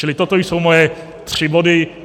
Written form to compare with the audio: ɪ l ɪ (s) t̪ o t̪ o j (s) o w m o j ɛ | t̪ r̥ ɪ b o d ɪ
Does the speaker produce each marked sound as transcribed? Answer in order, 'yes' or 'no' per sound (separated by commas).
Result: no, yes